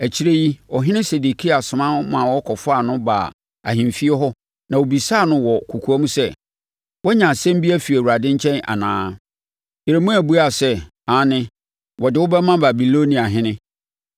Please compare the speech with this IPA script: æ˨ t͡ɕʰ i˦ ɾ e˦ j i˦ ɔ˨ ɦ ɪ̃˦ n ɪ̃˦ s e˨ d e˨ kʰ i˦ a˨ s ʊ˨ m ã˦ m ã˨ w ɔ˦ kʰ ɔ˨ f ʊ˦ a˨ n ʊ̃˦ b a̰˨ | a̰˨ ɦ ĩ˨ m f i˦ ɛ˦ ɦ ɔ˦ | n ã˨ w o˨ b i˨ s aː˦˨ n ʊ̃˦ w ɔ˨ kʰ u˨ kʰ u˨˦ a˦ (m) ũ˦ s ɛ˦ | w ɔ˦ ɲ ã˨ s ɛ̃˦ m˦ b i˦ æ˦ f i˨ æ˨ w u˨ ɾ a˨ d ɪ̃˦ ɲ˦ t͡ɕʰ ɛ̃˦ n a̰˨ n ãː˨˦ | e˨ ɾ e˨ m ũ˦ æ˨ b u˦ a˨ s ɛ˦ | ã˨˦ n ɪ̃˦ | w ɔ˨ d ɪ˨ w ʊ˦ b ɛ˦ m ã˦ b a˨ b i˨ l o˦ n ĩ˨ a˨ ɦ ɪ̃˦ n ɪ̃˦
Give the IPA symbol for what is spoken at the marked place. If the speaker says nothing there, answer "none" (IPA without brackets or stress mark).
m